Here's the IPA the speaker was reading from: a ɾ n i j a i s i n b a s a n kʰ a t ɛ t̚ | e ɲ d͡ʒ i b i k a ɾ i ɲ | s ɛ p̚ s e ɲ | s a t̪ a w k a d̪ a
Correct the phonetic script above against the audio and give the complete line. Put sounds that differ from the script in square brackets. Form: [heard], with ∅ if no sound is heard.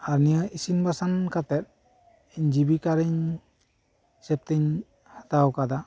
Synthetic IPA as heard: a ɾ n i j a i s i n b a s a n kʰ a t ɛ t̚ | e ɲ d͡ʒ i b i k a ɾ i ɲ | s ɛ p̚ [t] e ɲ | [h] a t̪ a w k a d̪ a